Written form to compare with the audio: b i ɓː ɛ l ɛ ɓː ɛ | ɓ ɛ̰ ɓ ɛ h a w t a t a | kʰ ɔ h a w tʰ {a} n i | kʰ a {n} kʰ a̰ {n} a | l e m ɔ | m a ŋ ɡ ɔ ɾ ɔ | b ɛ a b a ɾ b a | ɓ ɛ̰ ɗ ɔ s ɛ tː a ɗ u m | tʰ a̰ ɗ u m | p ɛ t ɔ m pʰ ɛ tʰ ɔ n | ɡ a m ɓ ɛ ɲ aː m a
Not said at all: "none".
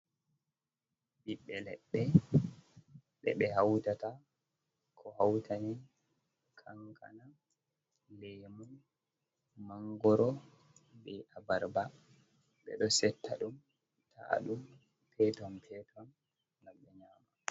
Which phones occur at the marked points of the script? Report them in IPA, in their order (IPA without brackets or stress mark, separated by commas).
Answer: a, ŋ, n